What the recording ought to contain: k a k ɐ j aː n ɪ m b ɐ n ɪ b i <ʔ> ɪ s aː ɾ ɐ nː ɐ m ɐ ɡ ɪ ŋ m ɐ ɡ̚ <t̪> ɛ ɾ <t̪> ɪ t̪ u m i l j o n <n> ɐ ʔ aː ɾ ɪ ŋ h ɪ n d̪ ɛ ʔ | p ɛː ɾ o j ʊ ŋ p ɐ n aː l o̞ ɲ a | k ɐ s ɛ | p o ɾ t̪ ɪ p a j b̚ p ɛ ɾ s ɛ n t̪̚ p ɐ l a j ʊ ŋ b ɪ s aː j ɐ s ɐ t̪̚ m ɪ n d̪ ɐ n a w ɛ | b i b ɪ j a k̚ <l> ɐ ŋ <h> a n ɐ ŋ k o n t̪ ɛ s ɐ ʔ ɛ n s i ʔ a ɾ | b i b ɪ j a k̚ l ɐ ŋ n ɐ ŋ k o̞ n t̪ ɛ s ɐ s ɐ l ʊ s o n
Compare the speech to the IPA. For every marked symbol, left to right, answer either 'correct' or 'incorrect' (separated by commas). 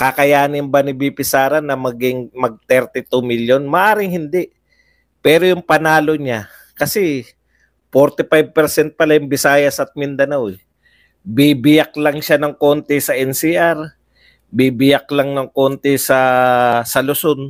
incorrect, correct, correct, incorrect, correct, incorrect